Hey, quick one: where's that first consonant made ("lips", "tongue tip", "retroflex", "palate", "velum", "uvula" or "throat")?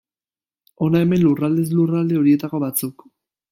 tongue tip